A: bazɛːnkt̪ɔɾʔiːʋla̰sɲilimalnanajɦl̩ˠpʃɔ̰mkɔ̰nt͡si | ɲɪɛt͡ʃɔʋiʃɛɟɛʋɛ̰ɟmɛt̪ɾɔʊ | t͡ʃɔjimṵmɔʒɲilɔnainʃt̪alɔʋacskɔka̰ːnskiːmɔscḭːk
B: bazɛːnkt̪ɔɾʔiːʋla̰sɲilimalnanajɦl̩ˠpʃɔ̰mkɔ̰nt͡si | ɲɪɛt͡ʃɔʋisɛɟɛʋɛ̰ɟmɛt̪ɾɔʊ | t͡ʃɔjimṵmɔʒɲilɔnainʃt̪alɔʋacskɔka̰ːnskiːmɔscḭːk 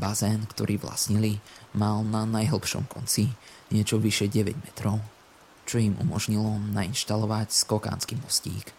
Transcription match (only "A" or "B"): A